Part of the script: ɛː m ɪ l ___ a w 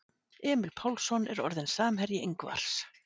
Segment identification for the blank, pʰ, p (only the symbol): pʰ